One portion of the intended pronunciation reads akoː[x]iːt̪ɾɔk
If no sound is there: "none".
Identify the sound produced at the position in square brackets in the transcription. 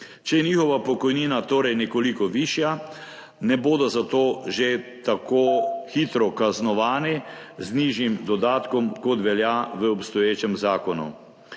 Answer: x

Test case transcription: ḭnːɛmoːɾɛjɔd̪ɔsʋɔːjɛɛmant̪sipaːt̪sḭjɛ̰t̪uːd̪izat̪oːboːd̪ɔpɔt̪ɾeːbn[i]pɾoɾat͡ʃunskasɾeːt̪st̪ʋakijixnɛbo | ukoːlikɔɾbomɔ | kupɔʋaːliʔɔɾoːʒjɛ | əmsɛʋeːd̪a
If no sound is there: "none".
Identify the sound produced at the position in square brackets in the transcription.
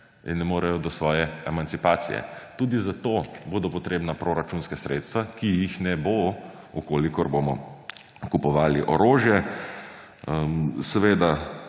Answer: a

